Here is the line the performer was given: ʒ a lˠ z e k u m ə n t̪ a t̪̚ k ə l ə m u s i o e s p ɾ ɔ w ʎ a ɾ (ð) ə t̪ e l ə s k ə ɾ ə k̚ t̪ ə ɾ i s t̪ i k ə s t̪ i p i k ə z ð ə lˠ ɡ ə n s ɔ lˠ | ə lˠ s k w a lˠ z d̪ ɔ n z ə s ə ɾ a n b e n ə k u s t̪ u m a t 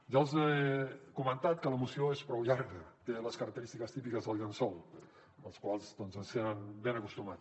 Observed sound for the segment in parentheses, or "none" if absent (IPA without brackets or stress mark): ɣ